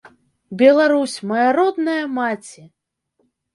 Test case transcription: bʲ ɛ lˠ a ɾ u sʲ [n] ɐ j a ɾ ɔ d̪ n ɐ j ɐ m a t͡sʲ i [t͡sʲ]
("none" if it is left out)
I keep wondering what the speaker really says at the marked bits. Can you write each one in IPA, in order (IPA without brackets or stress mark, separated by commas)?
m, none